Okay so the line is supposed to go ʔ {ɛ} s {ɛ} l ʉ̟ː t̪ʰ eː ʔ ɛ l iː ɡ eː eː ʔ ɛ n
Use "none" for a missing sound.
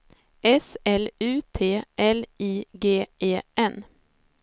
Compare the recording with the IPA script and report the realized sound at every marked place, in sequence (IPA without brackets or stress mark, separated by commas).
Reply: ɛ, ɛ